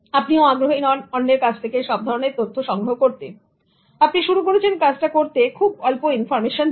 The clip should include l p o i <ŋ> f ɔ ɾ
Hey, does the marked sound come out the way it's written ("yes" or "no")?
no